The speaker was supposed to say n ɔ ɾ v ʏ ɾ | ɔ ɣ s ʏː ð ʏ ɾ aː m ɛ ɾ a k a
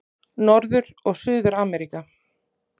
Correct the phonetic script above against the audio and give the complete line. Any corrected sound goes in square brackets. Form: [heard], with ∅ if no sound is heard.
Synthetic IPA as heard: n ɔ ɾ [ð] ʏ ɾ | ɔ ɣ s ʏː ð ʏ ɾ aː m ɛ ɾ [i] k a